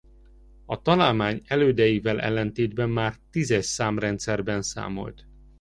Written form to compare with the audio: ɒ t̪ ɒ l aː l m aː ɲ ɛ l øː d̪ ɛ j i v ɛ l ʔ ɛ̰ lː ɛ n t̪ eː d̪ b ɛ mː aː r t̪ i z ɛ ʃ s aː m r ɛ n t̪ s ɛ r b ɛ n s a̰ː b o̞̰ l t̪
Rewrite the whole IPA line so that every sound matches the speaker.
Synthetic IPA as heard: ɒ t̪ ɒ l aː l m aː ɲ ɛ l øː d̪ ɛ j i v ɛ l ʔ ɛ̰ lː ɛ n t̪ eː d̪ b ɛ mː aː r t̪ i z ɛ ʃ s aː m r ɛ n t̪ s ɛ r b ɛ n s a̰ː m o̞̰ l t̪